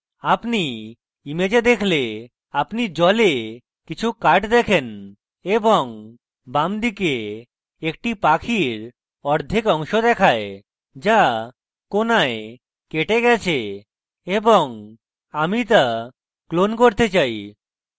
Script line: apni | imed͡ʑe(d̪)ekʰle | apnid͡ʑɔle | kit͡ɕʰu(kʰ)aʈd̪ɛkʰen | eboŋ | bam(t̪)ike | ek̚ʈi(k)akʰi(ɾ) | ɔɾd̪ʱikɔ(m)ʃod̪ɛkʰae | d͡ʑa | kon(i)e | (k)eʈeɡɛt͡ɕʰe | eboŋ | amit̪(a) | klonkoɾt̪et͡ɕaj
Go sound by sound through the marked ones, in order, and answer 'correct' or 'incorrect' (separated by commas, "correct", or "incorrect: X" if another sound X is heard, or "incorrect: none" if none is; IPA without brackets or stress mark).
correct, incorrect: k, incorrect: d̪, incorrect: p, correct, incorrect: ŋ, incorrect: a, correct, correct